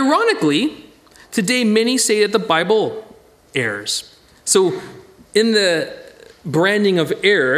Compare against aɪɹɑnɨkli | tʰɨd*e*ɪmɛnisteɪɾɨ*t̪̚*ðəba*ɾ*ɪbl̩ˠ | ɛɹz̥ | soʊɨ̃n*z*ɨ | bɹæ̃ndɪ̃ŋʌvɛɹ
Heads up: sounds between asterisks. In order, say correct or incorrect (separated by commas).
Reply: correct, correct, incorrect, incorrect